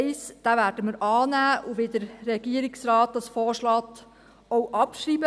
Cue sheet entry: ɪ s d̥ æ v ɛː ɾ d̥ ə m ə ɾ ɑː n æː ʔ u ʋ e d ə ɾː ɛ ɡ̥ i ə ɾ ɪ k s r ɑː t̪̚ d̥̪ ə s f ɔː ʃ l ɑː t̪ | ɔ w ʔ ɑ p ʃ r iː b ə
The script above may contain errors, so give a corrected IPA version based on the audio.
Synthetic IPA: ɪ s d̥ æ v æː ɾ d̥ ə m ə ɾ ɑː n æː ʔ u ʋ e d ə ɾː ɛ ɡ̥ i ə ɾ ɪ k s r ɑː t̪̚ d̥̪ ɑ s f ɔː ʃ l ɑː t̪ | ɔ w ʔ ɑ p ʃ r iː b ə